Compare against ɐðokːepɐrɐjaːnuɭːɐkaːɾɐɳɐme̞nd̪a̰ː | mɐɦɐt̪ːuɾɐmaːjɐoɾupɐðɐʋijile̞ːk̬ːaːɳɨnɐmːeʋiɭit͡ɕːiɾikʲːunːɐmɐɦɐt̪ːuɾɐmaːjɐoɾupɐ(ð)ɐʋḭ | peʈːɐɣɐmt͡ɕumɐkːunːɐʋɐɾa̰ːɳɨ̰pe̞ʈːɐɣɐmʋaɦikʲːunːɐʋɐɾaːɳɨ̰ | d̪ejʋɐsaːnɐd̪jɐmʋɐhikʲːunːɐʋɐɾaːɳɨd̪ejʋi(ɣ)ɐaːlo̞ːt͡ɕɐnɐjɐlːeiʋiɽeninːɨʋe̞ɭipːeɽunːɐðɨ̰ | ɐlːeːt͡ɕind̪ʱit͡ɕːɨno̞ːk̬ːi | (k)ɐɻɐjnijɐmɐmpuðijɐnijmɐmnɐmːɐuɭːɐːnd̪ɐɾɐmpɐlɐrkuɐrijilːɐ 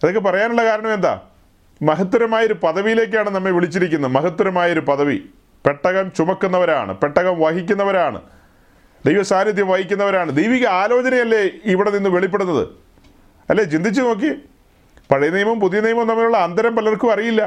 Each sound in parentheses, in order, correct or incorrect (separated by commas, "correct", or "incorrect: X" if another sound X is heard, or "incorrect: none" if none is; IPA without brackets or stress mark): correct, correct, incorrect: p